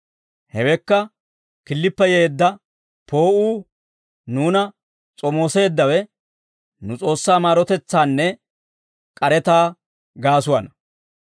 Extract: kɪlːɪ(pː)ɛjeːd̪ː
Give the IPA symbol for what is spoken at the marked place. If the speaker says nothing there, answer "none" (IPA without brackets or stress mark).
pː